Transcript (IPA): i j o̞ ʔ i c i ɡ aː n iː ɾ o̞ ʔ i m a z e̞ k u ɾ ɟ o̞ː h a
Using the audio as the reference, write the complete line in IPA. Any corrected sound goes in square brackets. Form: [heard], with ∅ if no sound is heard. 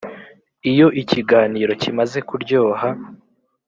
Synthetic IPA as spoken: i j o̞ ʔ i c i ɡ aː n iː ɾ o̞ [c] i m a z e̞ k u ɾ ɟ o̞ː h a